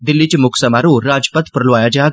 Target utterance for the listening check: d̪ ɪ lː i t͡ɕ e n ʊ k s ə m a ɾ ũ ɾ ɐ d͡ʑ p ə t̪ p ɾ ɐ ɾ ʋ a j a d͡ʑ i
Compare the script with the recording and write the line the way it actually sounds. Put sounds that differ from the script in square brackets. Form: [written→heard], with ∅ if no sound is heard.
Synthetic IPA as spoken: d̪ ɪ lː i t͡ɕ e [n→m] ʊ k s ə m a ɾ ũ ɾ [ɐ→a] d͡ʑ p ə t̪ p ɾ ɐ [ɾ→l] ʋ a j a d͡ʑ [i→a]

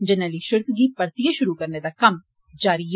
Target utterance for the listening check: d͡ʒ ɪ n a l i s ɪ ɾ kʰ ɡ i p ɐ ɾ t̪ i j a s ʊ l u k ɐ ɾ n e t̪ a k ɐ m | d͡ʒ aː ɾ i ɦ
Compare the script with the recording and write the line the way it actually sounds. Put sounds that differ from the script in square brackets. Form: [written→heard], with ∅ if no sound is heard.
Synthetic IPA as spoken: d͡ʒ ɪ n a l i [s→ʃ] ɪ ɾ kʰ ɡ i p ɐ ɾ t̪ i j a [s→ʃ] ʊ [l→ɾ] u k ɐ ɾ n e [t̪→d̪] a k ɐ m | d͡ʒ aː ɾ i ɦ

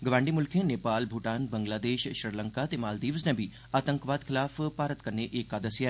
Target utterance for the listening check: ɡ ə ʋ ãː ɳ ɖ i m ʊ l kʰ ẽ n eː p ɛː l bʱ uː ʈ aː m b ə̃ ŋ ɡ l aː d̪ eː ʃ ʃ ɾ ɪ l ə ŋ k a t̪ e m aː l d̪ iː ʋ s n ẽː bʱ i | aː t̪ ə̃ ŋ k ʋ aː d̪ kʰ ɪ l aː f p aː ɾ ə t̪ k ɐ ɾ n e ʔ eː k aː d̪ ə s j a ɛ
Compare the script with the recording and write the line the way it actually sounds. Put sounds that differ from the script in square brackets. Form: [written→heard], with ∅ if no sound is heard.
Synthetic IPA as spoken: ɡ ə ʋ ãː ɳ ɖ i m ʊ l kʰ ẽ n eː p [ɛː→aː] l bʱ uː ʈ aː [m→n] b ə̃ ŋ ɡ l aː d̪ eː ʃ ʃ ɾ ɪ l ə ŋ k a t̪ e m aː l d̪ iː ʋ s n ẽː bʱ i | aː t̪ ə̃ ŋ k ʋ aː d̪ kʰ ɪ l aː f p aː ɾ ə t̪ k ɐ ɾ n e ʔ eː k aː d̪ ə s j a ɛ

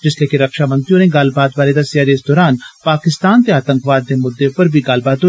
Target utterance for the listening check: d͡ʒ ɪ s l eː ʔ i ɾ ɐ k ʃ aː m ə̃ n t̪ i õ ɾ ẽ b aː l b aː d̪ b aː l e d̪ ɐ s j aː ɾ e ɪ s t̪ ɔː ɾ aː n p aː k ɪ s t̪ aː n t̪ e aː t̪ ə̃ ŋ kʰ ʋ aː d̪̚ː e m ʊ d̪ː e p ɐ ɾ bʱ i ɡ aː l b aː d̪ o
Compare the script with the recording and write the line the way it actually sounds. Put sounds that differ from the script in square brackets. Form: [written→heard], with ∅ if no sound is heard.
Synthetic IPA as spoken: d͡ʒ ɪ s l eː [ʔ→k] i ɾ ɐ k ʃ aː m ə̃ n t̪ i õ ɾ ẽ [b→ɡ] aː l b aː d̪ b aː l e d̪ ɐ s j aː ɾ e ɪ s [t̪→d̪] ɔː ɾ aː n p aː k ɪ s t̪ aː n t̪ e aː t̪ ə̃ ŋ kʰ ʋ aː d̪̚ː e m ʊ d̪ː e p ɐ ɾ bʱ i ɡ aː l b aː d̪ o

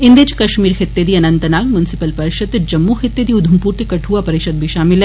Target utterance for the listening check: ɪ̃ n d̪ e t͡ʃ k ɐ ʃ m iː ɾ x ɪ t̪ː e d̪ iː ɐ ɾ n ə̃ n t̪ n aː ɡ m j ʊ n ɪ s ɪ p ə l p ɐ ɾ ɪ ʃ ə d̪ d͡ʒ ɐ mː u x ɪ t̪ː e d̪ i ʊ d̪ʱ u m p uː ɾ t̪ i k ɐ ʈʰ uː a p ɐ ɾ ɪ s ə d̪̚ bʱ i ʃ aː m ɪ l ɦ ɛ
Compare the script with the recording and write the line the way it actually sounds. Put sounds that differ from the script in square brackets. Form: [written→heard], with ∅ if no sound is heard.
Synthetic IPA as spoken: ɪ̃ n d̪ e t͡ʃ k ɐ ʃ m iː ɾ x ɪ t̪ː e d̪ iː ɐ [ɾ→∅] n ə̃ n t̪ n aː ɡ m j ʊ n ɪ s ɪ p ə l p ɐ ɾ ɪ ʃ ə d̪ d͡ʒ ɐ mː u x ɪ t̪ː e d̪ i ʊ d̪ʱ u m p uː ɾ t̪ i k ɐ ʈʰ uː a p ɐ ɾ ɪ [s→ʃ] ə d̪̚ bʱ i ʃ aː m ɪ l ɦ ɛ

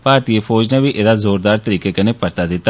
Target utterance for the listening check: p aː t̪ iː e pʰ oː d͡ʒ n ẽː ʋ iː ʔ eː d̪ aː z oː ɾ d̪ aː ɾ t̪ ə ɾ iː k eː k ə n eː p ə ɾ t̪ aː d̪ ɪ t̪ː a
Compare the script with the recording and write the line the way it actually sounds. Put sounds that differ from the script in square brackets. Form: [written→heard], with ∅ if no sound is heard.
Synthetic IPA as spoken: p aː t̪ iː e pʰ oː d͡ʒ n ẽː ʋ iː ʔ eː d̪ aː z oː ɾ d̪ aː ɾ t̪ ə ɾ iː k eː k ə n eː p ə ɾ t̪ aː d̪ ɪ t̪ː a

